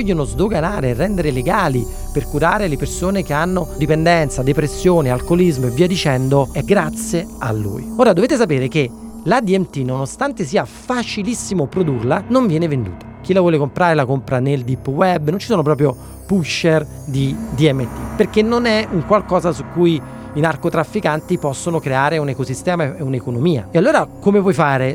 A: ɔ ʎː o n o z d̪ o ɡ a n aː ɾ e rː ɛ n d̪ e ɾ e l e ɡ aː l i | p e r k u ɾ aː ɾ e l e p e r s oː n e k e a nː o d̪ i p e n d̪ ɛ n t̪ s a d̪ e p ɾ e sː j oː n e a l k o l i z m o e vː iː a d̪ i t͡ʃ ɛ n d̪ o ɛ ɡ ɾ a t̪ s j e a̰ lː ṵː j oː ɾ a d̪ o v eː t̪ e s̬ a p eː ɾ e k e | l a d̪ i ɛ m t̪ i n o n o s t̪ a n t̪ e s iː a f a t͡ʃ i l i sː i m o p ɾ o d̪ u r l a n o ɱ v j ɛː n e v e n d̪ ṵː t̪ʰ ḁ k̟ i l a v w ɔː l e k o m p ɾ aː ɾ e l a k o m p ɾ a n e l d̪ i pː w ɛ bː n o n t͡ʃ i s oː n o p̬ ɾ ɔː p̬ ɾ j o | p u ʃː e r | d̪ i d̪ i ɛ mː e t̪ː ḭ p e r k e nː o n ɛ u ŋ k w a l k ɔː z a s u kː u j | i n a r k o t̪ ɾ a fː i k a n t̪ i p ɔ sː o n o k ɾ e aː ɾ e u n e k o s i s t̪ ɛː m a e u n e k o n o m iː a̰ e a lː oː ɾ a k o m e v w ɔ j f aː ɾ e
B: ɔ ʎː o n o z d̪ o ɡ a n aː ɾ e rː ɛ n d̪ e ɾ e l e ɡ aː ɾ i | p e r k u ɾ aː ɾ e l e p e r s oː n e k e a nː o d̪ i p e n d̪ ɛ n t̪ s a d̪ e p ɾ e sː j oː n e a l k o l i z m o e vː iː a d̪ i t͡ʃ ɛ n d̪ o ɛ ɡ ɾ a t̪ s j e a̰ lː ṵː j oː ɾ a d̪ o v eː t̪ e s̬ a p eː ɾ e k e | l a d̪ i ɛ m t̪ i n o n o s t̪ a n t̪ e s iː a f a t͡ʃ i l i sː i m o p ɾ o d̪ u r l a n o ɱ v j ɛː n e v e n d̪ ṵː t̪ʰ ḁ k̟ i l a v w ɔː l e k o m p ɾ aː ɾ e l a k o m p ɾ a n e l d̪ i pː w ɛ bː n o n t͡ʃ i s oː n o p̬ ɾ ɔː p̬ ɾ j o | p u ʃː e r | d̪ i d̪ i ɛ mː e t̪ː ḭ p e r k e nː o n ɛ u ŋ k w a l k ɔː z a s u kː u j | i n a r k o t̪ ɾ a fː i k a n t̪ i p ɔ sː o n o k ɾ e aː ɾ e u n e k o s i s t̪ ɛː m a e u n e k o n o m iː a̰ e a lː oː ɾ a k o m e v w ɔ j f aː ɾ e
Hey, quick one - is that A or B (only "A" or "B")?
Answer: A